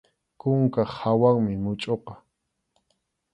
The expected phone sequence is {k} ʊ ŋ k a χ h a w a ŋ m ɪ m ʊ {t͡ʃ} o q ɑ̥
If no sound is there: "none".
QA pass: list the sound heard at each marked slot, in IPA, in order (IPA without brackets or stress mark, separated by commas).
k, t͡ʃʼ